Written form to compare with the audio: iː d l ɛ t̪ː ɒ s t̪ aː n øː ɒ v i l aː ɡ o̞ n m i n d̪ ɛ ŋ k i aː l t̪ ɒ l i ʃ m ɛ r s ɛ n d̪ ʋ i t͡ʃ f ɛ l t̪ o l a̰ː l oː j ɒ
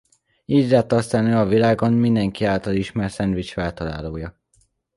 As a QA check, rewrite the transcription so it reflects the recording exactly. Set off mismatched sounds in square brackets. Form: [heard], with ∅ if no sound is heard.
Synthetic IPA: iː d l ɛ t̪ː ɒ s t̪ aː n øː ɒ v i l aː ɡ o̞ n m i n d̪ ɛ ŋ k i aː l t̪ ɒ l i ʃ m ɛ r s ɛ n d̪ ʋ i t͡ʃ f ɛ l t̪ [ɒ] l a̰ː l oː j ɒ

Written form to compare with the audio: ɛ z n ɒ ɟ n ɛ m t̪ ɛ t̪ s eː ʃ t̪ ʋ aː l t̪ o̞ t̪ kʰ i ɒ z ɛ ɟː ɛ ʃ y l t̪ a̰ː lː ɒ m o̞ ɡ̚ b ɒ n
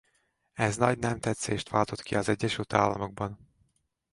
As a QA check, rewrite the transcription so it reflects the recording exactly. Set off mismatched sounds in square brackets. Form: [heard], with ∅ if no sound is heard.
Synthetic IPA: ɛ z n ɒ ɟ n ɛ m t̪ ɛ t̪ s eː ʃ t̪ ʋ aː l t̪ o̞ t̪ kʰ i ɒ z ɛ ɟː ɛ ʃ y l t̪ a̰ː lː ɒ m o̞ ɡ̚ b ɒ n

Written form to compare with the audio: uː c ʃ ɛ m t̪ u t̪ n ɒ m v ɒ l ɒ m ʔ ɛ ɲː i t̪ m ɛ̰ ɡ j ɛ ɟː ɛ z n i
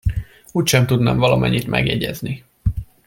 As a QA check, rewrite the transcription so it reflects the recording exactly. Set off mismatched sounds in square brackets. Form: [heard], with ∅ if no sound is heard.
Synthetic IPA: uː c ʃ ɛ m t̪ u [d̪] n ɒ m v ɒ l ɒ m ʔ ɛ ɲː i t̪ m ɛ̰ ɡ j ɛ [ɟ] ɛ z n i

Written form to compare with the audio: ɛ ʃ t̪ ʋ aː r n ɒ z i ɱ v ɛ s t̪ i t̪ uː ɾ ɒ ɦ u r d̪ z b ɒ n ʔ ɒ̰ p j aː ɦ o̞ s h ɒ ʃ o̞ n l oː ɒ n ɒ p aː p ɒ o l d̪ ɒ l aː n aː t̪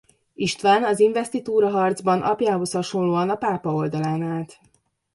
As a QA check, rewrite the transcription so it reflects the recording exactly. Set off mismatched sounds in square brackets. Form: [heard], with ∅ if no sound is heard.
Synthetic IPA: [i] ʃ t̪ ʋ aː [∅] n ɒ z i ɱ v ɛ s t̪ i t̪ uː ɾ ɒ ɦ [ɒ] r d̪ z b ɒ n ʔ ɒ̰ p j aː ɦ o̞ s h ɒ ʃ o̞ n l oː ɒ n ɒ p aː p ɒ o l d̪ ɒ l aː n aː t̪

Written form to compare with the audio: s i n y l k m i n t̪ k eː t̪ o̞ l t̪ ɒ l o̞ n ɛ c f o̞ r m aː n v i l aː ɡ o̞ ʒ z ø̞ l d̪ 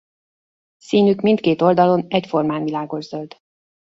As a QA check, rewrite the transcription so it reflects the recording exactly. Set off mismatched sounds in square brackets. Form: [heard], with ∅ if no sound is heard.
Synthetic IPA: s [iː] n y [∅] k m i n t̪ k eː t̪ o̞ l [d̪] ɒ l o̞ n ɛ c f o̞ r m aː n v i l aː ɡ o̞ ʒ z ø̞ l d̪

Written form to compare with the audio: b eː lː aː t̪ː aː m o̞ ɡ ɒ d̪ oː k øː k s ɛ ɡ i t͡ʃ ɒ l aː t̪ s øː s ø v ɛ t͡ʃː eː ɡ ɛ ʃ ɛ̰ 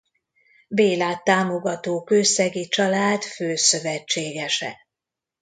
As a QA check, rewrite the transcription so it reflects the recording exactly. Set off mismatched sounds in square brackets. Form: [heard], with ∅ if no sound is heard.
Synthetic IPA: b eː [l] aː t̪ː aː m o̞ ɡ ɒ [t̪] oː k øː [∅] s ɛ ɡ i t͡ʃ ɒ l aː t̪ [f] øː s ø v ɛ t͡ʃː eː ɡ ɛ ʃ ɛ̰

